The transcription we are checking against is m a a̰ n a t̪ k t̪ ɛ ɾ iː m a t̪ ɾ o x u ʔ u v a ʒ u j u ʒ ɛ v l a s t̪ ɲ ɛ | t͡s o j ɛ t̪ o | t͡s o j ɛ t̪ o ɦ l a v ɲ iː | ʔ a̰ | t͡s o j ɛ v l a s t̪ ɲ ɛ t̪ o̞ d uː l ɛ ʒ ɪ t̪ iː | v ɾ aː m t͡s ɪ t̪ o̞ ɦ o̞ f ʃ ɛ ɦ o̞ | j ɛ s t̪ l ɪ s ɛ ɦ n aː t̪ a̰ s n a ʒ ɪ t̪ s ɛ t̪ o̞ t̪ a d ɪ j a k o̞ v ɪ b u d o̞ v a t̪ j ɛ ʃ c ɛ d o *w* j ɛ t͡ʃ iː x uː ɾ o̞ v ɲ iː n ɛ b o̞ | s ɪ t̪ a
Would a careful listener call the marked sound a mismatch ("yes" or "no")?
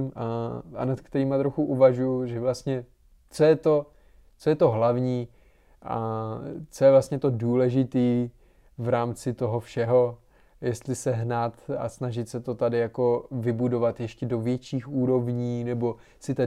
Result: yes